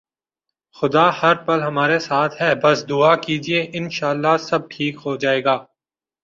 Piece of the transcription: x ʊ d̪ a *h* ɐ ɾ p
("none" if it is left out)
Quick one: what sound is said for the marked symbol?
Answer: h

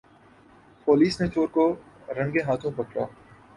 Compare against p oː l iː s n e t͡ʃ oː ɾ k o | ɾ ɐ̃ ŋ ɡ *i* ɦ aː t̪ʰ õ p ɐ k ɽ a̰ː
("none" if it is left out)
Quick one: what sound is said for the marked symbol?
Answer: e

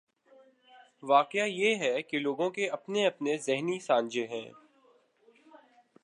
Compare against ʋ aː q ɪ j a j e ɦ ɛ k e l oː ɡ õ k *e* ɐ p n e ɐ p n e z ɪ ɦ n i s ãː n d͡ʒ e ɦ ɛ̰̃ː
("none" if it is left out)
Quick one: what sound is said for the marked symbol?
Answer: e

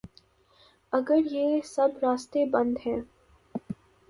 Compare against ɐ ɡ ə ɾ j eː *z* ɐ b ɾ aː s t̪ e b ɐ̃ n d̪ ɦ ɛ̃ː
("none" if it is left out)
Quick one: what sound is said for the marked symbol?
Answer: s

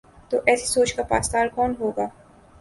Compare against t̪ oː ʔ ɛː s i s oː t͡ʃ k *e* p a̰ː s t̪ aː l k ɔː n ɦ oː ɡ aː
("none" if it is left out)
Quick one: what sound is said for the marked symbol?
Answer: a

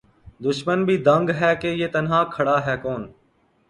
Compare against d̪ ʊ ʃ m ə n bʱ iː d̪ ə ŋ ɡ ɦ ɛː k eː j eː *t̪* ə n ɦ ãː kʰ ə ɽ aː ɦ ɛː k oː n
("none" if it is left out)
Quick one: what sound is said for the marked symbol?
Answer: t̪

